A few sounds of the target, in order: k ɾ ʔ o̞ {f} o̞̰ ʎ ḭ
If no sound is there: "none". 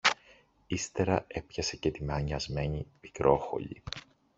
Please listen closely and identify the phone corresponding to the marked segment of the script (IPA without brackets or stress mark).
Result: x